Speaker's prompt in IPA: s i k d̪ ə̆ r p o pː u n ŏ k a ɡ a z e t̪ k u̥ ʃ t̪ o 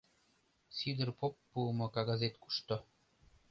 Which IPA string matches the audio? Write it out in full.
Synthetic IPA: s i d̪ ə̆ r p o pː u m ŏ k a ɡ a z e t̪ k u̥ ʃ t̪ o

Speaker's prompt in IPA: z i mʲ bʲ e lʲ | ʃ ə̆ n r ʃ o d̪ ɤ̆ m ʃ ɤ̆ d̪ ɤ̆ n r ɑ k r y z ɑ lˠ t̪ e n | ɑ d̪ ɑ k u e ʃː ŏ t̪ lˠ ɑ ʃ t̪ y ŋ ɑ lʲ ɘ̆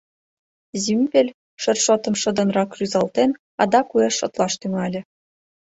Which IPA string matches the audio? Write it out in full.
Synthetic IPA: z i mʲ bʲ e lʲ | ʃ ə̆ r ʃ o t̪ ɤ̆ m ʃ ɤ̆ d̪ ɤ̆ n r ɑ k r y z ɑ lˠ t̪ e n | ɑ d̪ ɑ k u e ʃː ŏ t̪ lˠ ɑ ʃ t̪ y ŋ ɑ lʲ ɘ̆

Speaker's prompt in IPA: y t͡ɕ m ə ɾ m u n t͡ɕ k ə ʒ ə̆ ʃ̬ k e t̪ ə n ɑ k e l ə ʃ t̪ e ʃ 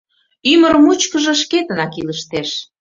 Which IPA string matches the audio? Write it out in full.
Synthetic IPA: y m ə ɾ m u t͡ɕ k ə ʒ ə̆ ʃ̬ k e t̪ ə n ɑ k i l ə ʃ t̪ e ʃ

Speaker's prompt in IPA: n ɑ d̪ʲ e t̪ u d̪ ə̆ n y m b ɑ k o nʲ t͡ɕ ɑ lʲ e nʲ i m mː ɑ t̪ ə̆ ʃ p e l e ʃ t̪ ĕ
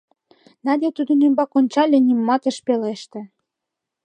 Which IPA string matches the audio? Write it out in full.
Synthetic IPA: n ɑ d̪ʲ e t̪ u d̪ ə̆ n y m b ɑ k o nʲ t͡ɕ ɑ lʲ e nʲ i m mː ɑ t̪ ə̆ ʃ p e l e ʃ t̪ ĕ

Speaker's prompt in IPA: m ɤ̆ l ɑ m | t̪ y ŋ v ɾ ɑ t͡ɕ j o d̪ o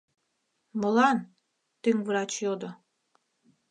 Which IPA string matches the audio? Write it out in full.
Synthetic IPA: m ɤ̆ l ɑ n | t̪ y ŋ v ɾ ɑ t͡ɕ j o d̪ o

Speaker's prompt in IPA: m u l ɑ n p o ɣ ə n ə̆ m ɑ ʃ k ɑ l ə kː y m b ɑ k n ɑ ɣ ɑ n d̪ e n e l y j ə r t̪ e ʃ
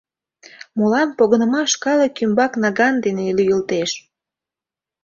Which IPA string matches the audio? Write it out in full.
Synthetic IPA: m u l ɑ n p o ɣ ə n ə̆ m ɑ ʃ k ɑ l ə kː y m b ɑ k n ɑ ɣ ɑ n d̪ e n e l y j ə l t̪ e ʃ

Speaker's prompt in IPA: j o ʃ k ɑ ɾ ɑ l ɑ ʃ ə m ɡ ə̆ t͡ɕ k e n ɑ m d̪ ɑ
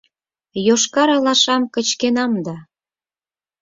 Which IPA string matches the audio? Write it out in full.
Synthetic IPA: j o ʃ k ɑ ɾ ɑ l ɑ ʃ ɑ m k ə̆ t͡ɕ k e n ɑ m d̪ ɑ

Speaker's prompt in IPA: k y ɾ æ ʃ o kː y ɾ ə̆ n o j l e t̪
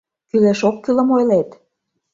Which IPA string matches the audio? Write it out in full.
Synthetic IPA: k y l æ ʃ o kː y l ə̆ m o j l e t̪

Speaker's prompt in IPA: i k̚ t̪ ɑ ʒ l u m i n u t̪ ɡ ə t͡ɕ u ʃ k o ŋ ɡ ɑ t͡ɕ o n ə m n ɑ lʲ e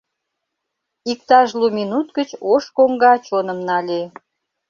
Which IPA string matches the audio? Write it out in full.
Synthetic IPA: i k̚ t̪ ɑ ʒ l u m i n u t̪ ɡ ə t͡ɕ o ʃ k o ŋ ɡ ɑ t͡ɕ o n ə m n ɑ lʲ e

